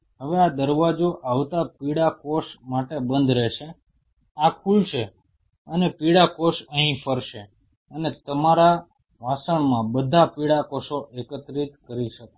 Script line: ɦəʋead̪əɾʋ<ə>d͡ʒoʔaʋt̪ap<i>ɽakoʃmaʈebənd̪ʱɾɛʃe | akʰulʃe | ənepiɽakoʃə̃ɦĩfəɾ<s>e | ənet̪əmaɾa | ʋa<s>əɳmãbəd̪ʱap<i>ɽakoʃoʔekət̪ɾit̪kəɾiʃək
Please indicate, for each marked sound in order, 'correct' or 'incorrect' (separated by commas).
incorrect, correct, incorrect, correct, correct